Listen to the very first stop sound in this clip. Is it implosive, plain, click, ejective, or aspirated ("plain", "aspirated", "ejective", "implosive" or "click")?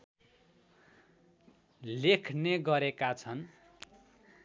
aspirated